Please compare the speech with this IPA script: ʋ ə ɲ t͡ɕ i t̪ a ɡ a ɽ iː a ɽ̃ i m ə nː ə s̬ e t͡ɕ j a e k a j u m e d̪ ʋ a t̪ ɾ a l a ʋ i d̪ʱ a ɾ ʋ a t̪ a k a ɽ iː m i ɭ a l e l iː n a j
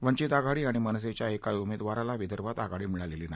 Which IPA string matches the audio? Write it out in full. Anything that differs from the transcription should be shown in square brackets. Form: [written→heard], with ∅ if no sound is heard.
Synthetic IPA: ʋ ə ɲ t͡ɕ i t̪ a ɡ a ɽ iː a ɽ̃ i m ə [nː→n] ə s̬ e t͡ɕ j a e k a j u m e d̪ ʋ a [t̪→∅] ɾ a l a ʋ i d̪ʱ [a→ə] ɾ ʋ a t̪ a [k→ɡ] a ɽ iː m i ɭ a l e l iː n a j